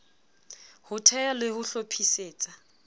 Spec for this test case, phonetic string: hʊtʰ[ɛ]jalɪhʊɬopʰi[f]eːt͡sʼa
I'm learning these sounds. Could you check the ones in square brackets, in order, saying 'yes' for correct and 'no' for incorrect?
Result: yes, no

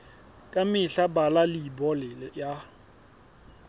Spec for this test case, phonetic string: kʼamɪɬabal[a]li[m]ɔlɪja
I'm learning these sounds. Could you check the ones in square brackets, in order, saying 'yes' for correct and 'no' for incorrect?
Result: yes, no

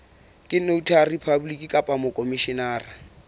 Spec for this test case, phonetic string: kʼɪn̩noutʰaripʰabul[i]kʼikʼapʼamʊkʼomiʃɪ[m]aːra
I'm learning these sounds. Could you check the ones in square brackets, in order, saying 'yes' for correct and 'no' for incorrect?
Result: yes, no

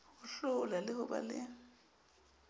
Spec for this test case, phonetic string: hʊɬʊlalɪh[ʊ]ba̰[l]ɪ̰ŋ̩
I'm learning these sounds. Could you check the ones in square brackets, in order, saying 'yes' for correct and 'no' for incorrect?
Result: yes, yes

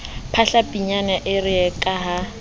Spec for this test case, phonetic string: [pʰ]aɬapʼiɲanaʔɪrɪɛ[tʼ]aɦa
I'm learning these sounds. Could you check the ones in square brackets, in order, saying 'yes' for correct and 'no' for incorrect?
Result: yes, no

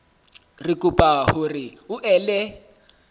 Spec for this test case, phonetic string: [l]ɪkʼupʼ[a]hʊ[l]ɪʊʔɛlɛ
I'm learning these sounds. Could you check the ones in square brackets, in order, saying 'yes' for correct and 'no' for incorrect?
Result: no, yes, no

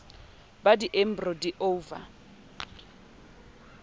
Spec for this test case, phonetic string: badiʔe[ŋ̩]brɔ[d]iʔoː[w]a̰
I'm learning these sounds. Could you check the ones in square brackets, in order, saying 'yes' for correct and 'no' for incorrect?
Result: no, yes, no

